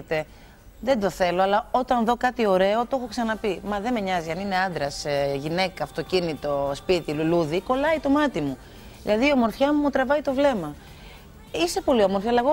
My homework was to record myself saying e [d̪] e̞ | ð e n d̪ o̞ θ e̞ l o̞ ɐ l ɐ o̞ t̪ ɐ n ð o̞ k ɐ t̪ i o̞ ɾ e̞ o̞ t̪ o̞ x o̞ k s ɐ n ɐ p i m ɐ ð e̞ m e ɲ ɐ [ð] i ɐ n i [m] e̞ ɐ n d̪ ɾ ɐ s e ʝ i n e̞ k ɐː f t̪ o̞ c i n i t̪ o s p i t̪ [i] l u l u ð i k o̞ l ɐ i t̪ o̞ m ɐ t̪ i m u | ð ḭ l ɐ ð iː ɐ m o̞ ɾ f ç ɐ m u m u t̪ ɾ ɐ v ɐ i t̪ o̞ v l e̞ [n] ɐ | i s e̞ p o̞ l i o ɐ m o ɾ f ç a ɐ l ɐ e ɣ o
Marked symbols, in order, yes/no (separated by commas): no, no, no, yes, no